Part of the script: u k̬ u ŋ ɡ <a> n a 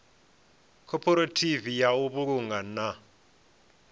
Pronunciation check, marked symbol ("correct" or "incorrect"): correct